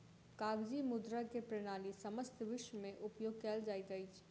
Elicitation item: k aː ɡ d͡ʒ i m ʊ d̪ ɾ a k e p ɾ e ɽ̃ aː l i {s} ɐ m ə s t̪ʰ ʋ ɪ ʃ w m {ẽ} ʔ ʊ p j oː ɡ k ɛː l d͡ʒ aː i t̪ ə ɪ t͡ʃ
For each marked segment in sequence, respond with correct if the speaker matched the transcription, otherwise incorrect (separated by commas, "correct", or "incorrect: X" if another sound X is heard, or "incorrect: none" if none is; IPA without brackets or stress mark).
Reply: correct, correct